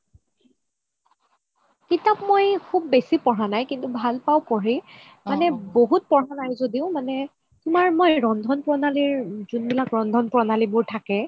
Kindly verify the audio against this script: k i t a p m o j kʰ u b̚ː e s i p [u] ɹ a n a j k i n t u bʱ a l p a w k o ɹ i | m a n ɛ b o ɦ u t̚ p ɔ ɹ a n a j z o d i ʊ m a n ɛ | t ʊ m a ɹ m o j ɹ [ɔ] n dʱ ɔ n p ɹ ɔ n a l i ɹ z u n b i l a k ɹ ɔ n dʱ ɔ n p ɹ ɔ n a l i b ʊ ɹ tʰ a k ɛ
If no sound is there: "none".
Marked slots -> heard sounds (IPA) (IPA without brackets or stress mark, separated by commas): ɔ, ɔ